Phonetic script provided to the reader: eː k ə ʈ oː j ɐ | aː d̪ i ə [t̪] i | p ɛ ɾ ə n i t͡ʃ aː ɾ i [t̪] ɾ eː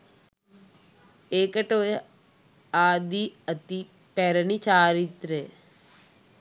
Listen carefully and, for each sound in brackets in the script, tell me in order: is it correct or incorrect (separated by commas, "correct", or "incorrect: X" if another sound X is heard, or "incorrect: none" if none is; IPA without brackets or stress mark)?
correct, correct